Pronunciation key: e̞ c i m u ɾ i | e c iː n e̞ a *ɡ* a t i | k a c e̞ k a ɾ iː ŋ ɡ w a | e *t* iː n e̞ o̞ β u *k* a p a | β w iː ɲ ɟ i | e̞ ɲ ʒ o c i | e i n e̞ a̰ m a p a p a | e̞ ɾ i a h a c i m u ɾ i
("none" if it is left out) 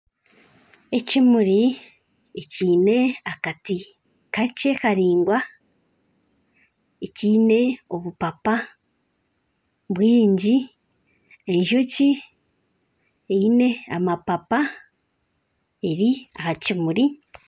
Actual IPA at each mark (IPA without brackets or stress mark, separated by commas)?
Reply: k, c, p